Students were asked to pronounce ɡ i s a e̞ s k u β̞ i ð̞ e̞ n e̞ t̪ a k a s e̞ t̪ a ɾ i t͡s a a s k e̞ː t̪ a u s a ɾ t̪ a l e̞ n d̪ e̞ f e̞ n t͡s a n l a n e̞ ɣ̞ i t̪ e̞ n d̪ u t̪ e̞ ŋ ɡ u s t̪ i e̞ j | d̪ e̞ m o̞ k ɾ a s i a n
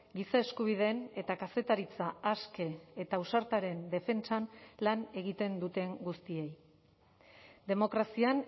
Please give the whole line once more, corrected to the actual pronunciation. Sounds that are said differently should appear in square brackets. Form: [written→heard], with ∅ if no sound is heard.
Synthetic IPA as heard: ɡ i s a e̞ s k u β̞ i ð̞ e̞ n e̞ t̪ a k a s e̞ t̪ a ɾ i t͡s a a s k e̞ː t̪ a u s a ɾ t̪ a [l→ɾ] e̞ n d̪ e̞ f e̞ n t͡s a n l a n e̞ ɣ̞ i t̪ e̞ n d̪ u t̪ e̞ ŋ ɡ u s t̪ i e̞ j | d̪ e̞ m o̞ k ɾ a s i a n